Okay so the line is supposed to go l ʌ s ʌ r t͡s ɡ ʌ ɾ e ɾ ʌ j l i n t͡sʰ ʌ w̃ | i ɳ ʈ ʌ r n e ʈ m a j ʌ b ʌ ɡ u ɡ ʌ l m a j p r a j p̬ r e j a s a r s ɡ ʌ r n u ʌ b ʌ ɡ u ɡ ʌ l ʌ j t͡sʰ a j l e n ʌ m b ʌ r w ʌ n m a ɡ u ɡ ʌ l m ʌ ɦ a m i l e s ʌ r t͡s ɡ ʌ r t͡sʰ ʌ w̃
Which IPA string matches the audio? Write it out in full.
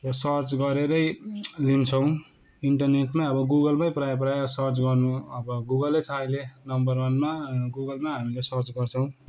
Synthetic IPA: r ʌ s ʌ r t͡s ɡ ʌ ɾ e ɾ ʌ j l i n t͡sʰ ʌ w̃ | i ɳ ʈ ʌ r n e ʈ m a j ʌ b ʌ ɡ u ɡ ʌ l m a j p r a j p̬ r a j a s ʌ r t͡s ɡ ʌ r n u ʌ b ʌ ɡ u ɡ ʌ l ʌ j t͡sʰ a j l e n ʌ m b ʌ r w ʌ n m a ɡ u ɡ ʌ l m a ɦ a m i l e s ʌ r t͡s ɡ ʌ r t͡sʰ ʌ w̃